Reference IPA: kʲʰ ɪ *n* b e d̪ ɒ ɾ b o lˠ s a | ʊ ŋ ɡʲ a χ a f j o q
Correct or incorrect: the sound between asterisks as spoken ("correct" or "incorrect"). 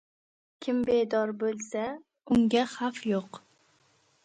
incorrect